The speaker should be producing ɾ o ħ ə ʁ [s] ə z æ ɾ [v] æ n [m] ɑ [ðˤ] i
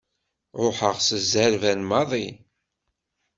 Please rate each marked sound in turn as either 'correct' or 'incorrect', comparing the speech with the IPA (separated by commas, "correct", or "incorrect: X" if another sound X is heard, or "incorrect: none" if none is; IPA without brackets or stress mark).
correct, correct, correct, correct